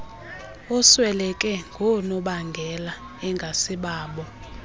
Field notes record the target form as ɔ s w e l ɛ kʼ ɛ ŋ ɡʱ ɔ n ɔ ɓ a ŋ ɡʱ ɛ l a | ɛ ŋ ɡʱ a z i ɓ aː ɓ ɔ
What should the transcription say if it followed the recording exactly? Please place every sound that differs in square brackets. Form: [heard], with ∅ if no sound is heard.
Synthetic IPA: ɔ s w [ɛ] l ɛ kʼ ɛ ŋ ɡʱ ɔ n ɔ ɓ a ŋ ɡʱ ɛ l a | ɛ ŋ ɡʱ a [s] i ɓ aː ɓ ɔ